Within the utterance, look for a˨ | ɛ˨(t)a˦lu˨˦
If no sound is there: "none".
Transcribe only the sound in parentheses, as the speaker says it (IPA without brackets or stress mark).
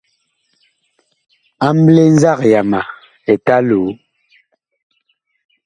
t